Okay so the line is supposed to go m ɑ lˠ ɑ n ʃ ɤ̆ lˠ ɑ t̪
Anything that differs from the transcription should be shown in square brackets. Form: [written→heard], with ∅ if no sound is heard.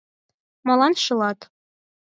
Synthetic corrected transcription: m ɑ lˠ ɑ n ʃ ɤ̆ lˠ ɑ t̪